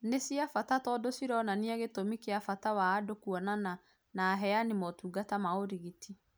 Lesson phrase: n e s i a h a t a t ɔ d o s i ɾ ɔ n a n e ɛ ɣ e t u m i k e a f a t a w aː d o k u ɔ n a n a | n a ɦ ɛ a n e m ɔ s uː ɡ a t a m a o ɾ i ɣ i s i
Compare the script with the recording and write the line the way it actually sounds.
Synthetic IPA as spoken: n e s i a f a t a t ɔ d o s i ɾ ɔ n a n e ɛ ɣ e t o m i k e a f a t a w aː d o k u ɔ n a n a | n a ɦ ɛ a n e m ɔ t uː ɡ a t a m a o ɾ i ɣ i t i